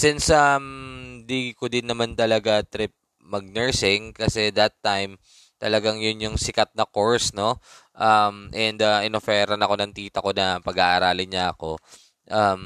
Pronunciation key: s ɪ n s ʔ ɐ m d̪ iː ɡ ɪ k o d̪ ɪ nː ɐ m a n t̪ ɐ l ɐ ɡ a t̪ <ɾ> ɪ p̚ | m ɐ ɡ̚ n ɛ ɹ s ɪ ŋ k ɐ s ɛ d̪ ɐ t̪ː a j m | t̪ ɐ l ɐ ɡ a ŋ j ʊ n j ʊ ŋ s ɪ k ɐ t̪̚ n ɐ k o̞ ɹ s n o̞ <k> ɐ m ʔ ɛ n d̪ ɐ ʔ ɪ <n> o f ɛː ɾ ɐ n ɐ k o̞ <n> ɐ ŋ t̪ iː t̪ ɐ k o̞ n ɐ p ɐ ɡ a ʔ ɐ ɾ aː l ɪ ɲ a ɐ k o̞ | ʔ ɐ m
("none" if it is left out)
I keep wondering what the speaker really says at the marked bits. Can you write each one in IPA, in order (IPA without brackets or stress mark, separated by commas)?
ɾ, ʔ, n, n